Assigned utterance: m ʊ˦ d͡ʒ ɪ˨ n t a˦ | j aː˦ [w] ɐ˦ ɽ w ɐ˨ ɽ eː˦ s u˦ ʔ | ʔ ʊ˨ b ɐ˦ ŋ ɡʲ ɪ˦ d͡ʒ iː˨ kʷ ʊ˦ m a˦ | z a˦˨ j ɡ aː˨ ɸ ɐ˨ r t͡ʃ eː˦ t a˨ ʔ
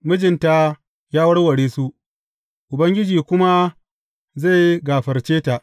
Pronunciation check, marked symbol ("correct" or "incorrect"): correct